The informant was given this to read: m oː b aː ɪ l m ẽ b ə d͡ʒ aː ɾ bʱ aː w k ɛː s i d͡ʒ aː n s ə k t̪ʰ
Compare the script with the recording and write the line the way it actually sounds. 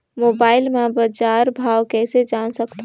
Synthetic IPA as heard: m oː b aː ɪ l m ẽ b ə d͡ʒ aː ɾ bʱ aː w k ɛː s e d͡ʒ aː n s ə k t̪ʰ